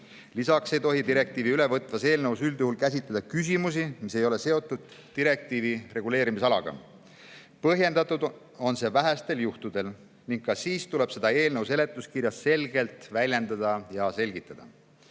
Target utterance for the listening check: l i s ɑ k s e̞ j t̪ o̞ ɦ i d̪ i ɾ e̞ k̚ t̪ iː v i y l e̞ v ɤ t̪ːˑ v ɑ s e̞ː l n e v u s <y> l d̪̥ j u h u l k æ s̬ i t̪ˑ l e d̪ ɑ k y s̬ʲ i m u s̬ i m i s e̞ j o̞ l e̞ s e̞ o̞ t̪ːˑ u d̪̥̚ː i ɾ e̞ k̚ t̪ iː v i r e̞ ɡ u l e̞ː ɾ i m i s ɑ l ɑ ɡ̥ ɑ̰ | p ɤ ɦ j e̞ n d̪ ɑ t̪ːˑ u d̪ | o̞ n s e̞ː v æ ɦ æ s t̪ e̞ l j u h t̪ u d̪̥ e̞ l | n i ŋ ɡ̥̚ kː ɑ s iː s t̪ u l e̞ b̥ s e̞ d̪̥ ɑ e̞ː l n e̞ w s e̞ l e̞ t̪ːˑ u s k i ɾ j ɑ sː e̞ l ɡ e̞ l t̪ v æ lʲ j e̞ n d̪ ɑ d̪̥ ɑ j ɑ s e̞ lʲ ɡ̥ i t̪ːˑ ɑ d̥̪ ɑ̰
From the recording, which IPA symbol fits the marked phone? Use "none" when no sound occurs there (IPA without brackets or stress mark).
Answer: y